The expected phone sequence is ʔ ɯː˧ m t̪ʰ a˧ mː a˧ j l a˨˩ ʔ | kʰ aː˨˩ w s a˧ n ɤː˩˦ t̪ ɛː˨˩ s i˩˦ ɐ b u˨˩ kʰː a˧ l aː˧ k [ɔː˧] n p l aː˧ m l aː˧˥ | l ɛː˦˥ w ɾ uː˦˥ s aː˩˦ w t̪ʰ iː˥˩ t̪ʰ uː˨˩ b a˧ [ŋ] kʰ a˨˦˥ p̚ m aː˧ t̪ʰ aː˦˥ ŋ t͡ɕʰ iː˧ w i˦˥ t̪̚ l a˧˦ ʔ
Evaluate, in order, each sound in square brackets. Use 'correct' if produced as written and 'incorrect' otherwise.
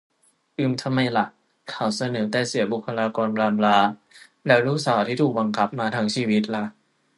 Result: correct, correct

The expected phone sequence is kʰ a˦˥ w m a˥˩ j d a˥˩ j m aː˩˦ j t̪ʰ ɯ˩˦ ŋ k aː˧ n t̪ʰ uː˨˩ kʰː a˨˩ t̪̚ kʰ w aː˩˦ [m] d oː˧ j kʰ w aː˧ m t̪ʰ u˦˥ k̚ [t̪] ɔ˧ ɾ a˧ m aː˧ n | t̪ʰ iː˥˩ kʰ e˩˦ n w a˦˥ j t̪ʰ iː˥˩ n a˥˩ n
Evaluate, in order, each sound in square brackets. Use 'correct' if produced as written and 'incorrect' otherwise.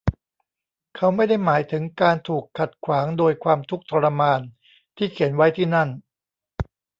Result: incorrect: ŋ, incorrect: t̪ʰ

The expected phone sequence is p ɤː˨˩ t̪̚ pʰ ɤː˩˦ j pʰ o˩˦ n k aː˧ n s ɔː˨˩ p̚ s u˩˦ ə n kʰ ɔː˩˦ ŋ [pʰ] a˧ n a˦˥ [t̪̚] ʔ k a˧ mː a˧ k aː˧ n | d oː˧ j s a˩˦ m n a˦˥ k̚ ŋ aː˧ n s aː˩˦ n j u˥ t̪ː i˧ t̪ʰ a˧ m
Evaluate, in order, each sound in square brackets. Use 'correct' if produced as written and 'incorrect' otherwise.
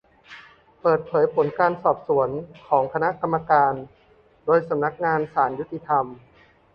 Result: incorrect: kʰ, incorrect: none

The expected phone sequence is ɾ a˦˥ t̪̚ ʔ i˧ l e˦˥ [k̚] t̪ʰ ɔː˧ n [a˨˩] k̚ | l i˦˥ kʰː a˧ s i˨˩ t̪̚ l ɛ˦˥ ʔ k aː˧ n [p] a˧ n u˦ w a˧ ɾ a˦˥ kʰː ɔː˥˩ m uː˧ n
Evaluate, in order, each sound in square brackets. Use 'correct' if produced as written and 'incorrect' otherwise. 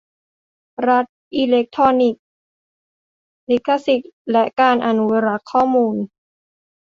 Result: correct, incorrect: i˨˩, incorrect: ʔ

